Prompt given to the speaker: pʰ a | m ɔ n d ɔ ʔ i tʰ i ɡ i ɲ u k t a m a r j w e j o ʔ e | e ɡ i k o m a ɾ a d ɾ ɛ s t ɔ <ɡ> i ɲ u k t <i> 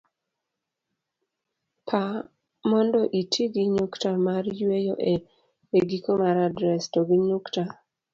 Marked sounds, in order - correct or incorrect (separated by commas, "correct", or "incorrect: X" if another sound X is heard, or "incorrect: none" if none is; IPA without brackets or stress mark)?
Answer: correct, incorrect: a